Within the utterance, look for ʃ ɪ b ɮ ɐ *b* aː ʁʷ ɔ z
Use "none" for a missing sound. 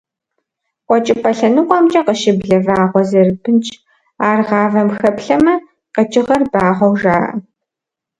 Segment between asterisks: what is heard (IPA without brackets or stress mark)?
v